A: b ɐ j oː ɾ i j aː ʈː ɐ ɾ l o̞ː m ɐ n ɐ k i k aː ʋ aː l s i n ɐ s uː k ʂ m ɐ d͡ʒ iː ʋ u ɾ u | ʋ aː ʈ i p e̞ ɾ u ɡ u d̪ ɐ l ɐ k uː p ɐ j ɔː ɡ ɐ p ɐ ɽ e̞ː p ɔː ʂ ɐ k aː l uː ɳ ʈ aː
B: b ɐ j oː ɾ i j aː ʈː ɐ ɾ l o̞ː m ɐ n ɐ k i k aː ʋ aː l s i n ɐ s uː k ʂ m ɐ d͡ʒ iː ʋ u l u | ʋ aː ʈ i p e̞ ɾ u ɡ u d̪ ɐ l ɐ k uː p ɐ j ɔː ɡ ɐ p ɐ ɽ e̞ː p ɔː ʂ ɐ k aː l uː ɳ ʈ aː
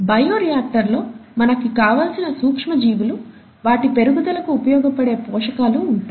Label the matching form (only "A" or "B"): B